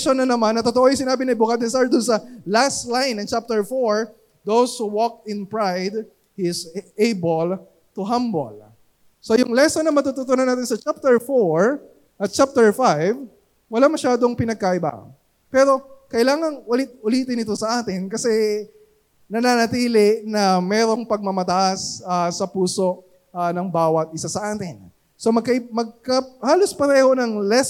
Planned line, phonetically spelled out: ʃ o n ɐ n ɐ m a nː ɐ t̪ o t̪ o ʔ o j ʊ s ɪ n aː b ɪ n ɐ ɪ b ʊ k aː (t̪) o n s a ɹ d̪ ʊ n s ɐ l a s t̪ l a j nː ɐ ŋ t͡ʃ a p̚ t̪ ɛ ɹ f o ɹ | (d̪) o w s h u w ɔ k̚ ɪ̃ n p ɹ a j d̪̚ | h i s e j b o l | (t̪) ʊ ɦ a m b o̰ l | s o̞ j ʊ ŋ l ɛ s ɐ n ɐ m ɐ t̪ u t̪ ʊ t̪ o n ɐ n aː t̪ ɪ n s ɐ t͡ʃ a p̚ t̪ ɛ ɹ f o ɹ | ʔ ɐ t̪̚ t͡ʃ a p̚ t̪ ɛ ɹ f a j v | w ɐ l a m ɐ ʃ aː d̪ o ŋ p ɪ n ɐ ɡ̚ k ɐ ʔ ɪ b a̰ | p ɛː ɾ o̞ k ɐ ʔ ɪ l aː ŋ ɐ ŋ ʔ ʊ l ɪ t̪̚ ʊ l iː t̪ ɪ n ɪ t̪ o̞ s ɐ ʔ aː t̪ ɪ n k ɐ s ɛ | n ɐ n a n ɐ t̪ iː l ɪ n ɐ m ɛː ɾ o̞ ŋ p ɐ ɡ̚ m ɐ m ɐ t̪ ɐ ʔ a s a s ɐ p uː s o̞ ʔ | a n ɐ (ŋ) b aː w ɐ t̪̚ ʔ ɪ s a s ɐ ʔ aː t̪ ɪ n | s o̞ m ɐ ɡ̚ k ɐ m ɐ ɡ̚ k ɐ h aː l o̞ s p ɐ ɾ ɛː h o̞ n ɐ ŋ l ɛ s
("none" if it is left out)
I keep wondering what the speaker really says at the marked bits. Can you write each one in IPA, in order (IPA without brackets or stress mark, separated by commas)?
d̪, d̪, t̪, ŋ